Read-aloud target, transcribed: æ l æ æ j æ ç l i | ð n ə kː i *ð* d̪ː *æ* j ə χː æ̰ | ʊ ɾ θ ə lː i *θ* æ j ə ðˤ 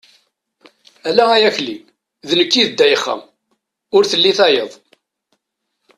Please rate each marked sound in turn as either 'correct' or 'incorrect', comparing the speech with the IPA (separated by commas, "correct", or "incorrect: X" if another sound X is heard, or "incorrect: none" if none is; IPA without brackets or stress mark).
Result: correct, correct, correct